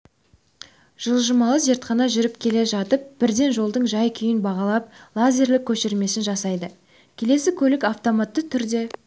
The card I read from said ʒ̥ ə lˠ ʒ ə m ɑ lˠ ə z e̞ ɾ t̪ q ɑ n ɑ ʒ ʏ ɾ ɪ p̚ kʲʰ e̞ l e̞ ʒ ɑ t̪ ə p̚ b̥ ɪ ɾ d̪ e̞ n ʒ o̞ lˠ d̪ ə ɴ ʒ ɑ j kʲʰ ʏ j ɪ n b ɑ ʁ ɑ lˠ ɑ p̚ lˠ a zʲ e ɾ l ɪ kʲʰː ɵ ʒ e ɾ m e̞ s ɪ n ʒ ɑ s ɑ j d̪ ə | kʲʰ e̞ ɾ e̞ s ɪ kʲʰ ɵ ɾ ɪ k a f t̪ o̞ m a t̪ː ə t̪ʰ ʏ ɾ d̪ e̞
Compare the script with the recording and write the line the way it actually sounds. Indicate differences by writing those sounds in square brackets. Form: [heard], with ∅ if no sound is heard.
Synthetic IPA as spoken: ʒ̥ ə lˠ ʒ ə m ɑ lˠ ə z e̞ ɾ t̪ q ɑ n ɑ ʒ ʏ ɾ ɪ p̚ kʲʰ e̞ l e̞ ʒ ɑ t̪ ə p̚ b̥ ɪ ɾ d̪ e̞ n ʒ o̞ lˠ d̪ ə ɴ ʒ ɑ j kʲʰ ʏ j ɪ n b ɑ ʁ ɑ lˠ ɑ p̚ lˠ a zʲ e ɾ l ɪ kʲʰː ɵ [ʃ] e ɾ m e̞ s ɪ n ʒ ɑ s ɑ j d̪ ə | kʲʰ e̞ [l] e̞ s ɪ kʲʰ ɵ [l] ɪ k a f t̪ o̞ m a t̪ː ə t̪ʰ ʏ ɾ d̪ e̞